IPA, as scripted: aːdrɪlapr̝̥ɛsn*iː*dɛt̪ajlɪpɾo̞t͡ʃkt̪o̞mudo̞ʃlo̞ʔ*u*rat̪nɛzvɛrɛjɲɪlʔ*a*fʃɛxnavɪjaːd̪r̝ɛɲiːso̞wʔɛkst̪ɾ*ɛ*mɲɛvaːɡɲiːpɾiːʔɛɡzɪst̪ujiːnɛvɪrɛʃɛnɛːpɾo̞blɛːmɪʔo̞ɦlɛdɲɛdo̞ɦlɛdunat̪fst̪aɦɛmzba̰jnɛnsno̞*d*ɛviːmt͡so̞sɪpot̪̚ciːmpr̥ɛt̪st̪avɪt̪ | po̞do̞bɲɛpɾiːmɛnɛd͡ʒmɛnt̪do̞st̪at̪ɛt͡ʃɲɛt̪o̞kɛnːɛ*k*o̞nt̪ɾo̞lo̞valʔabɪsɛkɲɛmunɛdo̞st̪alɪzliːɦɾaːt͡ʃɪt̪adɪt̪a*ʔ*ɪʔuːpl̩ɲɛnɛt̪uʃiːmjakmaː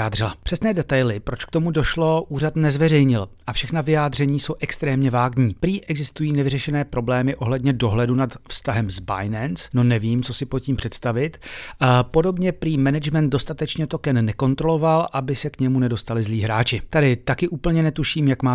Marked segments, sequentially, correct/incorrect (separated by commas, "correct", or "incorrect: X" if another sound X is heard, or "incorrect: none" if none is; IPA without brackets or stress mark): incorrect: ɛː, incorrect: uː, correct, incorrect: ɛː, incorrect: n, correct, incorrect: k